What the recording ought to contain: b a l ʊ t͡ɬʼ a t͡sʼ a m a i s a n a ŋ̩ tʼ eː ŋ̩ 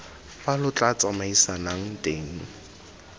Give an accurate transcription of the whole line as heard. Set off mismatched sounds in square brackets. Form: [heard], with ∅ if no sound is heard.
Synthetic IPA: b a l ʊ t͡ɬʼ a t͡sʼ a m a i s a n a ŋ̩ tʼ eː ŋ̩